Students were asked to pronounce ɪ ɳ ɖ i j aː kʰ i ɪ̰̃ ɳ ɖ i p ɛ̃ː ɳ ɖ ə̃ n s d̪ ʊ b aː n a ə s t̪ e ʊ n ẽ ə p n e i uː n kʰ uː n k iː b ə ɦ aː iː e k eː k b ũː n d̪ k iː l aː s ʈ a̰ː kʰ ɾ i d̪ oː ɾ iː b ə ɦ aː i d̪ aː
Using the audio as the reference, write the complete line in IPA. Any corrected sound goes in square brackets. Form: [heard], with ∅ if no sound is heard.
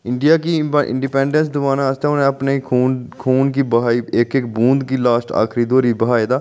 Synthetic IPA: ɪ ɳ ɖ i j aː [k] i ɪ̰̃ ɳ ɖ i p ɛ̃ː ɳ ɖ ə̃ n s d̪ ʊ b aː n a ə s t̪ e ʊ n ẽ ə p n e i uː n kʰ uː n k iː b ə ɦ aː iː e k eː k b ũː n d̪ k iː l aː s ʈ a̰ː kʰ ɾ i d̪ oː ɾ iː b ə ɦ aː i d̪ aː

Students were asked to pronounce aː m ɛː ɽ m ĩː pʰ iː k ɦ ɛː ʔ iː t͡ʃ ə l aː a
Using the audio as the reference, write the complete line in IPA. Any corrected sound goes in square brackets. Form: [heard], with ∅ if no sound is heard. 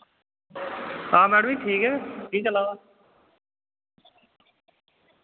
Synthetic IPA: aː m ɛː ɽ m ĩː [ʈʰ] iː k ɦ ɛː [k] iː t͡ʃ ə l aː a

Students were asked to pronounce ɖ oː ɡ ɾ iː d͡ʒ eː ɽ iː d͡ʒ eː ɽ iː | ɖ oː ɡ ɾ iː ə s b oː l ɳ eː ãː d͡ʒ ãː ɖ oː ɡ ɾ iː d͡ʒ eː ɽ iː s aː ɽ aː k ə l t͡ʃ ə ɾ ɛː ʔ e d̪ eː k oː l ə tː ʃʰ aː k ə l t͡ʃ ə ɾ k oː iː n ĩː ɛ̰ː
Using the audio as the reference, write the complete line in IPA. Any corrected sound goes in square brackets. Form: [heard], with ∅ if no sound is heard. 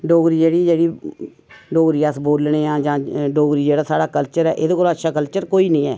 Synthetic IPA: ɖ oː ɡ ɾ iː d͡ʒ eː ɽ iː d͡ʒ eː ɽ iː | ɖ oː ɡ ɾ iː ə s b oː l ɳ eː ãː d͡ʒ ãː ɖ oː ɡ ɾ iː d͡ʒ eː ɽ [aː] s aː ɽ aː k ə l t͡ʃ ə ɾ ɛː ʔ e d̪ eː k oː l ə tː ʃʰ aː k ə l t͡ʃ ə ɾ k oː iː n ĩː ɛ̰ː

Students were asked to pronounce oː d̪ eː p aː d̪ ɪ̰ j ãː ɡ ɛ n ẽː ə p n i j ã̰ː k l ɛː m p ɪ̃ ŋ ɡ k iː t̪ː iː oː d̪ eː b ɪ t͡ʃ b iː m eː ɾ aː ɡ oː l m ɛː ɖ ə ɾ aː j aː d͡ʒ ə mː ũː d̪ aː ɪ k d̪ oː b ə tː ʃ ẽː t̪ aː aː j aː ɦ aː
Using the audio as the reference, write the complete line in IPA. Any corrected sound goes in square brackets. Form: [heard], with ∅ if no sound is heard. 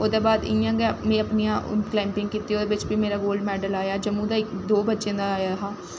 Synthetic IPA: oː d̪ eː [b] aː d̪ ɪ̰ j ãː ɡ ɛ [m] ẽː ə p n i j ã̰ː k l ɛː m p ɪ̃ ŋ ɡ k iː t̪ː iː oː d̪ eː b ɪ t͡ʃ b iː m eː ɾ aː ɡ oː l m ɛː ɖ ə [l] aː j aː d͡ʒ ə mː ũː d̪ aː ɪ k d̪ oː b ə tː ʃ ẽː [d̪] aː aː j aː ɦ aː

